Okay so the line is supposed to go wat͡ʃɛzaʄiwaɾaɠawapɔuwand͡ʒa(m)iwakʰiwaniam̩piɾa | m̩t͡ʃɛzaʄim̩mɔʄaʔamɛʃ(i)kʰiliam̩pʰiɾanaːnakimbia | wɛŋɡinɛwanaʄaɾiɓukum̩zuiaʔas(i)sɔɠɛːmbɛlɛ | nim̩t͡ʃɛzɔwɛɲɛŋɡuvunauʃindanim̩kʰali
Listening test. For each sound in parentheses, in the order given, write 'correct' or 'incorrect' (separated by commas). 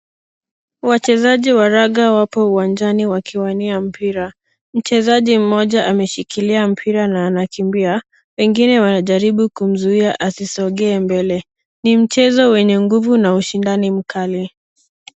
incorrect, correct, correct